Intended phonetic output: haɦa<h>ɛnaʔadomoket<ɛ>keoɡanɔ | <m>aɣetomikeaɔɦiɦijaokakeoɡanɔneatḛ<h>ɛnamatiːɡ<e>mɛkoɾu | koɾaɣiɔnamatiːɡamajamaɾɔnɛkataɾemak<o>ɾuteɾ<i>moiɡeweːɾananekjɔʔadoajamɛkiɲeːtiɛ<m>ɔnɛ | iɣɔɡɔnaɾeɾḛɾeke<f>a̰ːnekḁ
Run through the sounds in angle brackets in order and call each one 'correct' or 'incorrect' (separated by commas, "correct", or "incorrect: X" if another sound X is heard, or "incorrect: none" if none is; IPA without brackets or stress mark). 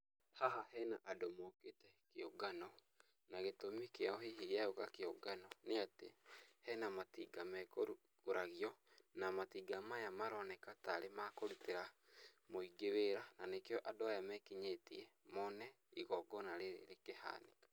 correct, correct, incorrect: n, correct, incorrect: a, correct, incorrect: a, correct, incorrect: h